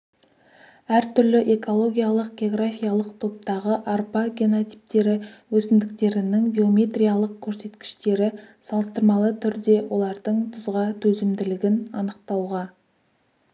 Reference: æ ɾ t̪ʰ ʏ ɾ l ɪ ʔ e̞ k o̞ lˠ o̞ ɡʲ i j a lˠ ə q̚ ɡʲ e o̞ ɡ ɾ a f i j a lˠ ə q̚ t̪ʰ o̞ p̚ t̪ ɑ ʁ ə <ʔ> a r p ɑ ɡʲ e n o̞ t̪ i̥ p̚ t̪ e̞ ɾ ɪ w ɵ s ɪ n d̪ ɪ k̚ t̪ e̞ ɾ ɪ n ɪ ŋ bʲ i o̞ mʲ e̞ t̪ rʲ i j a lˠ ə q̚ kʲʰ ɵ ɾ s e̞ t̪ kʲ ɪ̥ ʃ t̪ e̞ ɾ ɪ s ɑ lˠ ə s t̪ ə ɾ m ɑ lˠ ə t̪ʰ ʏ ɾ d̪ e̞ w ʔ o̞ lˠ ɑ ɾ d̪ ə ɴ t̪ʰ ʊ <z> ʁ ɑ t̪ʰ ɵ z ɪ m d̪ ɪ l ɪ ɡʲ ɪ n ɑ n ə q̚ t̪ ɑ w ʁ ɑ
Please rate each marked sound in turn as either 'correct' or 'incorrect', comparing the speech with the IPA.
correct, correct

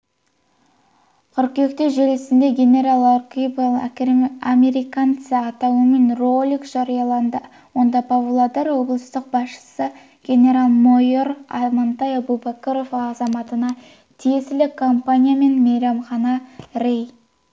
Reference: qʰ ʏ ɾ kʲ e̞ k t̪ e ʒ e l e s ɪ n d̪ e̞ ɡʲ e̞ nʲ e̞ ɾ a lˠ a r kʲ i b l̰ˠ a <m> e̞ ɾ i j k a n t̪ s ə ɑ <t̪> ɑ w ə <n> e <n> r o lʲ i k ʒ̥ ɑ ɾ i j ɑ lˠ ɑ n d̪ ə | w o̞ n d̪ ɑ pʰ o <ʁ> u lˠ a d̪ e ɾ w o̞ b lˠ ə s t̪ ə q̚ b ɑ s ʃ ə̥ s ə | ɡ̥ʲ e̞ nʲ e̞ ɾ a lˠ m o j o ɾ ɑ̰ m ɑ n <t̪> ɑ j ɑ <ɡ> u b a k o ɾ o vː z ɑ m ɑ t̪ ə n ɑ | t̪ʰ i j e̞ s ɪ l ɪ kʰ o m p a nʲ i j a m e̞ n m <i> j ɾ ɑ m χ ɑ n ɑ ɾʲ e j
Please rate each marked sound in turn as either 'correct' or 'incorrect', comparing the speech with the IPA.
correct, correct, incorrect: m, correct, incorrect: v, correct, incorrect: b, incorrect: e

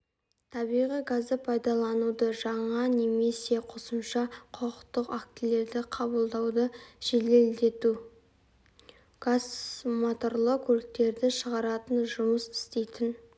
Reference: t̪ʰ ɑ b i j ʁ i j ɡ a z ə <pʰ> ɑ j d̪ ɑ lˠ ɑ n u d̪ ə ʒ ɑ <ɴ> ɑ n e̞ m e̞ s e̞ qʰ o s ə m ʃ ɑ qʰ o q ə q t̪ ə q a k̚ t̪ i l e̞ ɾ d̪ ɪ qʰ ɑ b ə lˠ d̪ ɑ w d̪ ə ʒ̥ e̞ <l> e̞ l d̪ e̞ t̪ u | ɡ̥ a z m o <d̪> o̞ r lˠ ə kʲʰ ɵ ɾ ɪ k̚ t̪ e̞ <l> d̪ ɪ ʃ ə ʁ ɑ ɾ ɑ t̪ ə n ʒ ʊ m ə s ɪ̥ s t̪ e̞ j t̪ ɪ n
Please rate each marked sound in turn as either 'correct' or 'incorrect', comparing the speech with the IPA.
correct, correct, correct, incorrect: t̪, incorrect: ɾ

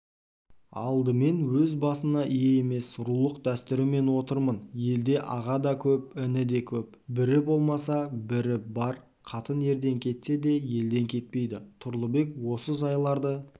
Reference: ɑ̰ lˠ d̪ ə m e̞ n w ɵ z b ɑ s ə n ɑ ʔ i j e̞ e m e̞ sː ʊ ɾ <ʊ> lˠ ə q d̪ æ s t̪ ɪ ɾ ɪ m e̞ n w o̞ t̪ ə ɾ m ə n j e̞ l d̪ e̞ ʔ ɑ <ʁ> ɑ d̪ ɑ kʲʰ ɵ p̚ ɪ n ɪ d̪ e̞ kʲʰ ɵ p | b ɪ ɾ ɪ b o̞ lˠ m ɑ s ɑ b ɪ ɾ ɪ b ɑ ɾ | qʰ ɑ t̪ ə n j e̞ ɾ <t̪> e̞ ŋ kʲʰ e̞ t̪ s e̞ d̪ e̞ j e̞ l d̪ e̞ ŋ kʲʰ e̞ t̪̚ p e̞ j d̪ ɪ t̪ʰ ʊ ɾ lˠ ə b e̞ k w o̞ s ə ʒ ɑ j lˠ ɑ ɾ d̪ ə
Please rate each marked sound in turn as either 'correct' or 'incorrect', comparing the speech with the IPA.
incorrect: u, correct, incorrect: d̪

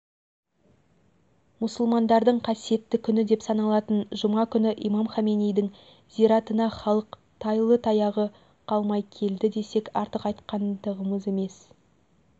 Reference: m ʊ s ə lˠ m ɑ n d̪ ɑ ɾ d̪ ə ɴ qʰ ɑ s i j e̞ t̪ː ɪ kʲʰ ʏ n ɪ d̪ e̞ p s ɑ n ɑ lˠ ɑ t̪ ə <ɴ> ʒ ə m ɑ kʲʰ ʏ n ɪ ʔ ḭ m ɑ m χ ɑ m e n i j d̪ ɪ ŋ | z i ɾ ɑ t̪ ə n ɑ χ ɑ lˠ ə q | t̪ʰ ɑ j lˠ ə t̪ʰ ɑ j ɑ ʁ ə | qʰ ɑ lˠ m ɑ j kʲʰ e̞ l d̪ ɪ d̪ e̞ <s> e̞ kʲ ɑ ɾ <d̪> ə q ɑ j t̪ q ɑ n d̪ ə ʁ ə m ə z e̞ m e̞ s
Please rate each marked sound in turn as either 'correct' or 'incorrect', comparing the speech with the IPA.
incorrect: n, correct, incorrect: t̪

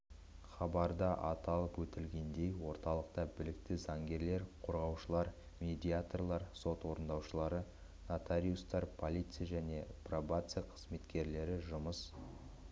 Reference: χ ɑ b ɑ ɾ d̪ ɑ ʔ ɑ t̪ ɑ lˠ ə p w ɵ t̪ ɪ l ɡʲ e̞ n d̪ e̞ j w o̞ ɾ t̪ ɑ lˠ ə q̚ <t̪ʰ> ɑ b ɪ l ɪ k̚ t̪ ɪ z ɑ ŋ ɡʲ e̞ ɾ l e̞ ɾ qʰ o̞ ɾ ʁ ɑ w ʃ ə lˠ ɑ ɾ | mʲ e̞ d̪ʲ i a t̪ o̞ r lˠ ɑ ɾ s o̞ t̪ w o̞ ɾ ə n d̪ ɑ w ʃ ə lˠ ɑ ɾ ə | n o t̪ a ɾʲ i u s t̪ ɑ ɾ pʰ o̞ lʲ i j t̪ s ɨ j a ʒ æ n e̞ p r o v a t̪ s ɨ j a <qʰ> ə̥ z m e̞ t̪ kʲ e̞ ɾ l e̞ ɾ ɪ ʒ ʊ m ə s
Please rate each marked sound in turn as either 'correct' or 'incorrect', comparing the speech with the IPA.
incorrect: t̪, correct

